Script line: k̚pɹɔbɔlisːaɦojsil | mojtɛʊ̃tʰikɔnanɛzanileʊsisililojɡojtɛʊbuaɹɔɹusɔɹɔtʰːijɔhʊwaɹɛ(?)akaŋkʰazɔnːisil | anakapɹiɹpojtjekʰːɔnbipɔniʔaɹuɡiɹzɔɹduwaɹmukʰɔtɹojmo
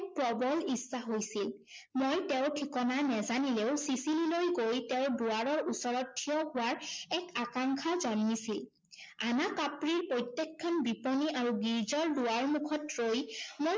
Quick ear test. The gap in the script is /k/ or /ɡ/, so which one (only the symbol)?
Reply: k